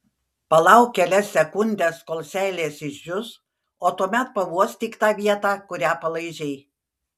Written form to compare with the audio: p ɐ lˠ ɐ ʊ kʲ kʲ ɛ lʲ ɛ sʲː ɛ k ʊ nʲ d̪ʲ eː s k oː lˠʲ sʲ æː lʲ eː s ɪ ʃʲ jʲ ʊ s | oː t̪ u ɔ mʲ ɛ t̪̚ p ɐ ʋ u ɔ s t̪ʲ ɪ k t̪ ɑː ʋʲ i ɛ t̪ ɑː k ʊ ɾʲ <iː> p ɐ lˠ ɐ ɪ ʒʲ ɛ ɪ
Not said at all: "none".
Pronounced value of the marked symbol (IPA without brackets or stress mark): æː